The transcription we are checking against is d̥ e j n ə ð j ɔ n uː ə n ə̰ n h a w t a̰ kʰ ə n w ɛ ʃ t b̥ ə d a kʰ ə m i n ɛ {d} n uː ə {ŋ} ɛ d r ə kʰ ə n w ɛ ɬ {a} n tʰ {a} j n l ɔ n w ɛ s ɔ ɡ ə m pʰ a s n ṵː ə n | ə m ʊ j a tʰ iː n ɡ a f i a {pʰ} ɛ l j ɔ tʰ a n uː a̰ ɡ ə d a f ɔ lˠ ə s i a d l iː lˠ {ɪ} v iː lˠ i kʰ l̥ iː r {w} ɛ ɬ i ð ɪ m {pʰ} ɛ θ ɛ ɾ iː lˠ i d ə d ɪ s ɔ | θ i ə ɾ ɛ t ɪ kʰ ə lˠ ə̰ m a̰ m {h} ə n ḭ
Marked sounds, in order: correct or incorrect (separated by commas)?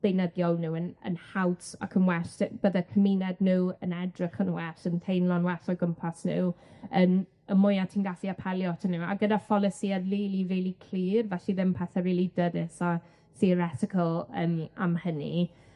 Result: correct, incorrect, incorrect, incorrect, correct, incorrect, incorrect, correct, correct